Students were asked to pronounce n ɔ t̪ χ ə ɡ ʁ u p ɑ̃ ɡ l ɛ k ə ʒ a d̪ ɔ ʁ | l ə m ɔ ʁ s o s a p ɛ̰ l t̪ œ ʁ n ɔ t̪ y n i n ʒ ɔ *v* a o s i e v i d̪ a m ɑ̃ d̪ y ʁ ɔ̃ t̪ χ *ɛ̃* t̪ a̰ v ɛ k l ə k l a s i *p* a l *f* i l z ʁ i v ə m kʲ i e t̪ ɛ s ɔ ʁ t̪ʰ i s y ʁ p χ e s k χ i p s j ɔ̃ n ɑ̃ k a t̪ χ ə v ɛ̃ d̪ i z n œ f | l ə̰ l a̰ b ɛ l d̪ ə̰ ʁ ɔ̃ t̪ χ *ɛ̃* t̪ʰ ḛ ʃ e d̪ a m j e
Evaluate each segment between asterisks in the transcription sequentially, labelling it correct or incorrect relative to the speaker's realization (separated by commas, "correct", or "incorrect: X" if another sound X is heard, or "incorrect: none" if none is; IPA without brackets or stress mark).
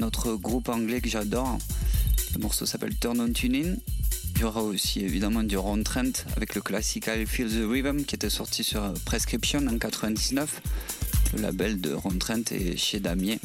incorrect: ʁ, correct, incorrect: k, correct, correct